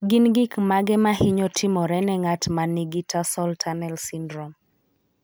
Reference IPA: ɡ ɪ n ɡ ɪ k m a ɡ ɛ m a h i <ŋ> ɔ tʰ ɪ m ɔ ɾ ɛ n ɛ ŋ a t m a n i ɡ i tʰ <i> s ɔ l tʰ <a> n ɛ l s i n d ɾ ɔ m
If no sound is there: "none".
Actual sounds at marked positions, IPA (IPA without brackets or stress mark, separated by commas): ɲ, a, a